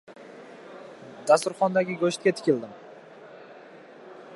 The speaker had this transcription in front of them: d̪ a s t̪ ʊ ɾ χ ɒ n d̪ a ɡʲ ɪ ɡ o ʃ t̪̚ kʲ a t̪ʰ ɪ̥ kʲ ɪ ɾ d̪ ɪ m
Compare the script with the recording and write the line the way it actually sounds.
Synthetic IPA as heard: d̪ a s t̪ ʊ ɾ χ ɒ n d̪ a ɡʲ ɪ ɡ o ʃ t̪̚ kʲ a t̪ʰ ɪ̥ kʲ ɪ l d̪ ɪ m